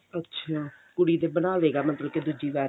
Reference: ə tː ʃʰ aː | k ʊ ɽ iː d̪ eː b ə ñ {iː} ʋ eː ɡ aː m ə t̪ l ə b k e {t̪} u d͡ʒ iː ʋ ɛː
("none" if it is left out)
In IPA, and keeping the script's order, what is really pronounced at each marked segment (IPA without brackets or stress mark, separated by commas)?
aː, d̪